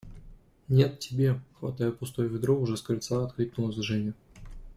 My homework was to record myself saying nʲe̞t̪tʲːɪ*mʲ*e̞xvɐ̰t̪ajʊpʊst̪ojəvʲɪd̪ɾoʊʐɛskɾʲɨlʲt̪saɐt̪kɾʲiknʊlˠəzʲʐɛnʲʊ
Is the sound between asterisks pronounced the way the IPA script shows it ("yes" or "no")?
no